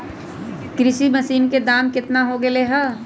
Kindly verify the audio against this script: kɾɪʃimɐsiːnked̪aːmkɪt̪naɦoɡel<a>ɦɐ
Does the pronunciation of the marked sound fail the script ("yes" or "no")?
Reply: yes